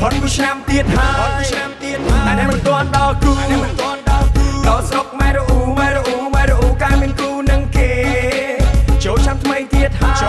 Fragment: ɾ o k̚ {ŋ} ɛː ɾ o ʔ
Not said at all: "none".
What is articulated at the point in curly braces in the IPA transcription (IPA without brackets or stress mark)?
m